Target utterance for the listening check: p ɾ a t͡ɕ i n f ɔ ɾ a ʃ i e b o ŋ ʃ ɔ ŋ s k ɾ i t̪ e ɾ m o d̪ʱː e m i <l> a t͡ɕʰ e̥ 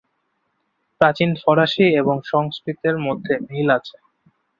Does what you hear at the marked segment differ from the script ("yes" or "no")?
no